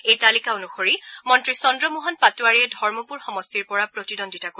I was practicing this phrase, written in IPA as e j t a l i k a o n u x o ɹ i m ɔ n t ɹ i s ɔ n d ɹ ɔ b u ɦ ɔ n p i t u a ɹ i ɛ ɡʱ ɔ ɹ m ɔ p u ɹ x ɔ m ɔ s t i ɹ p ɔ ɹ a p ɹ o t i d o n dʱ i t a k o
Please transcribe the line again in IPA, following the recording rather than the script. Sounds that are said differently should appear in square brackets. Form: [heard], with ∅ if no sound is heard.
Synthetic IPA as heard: e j t a l i k a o n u x o ɹ i m ɔ n t ɹ i s ɔ n d ɹ ɔ [m] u ɦ ɔ n p [a] t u a ɹ i ɛ [dʱ] ɔ ɹ m ɔ p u ɹ x ɔ m ɔ s t i ɹ p ɔ ɹ a p ɹ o t i d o n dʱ i t a k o